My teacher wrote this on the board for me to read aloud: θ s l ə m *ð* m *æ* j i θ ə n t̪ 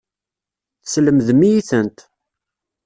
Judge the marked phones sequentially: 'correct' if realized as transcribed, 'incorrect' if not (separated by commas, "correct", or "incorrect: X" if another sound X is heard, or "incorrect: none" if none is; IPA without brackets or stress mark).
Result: correct, incorrect: i